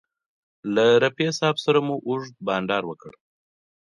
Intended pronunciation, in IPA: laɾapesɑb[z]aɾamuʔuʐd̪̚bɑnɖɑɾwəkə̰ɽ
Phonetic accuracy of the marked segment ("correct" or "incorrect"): incorrect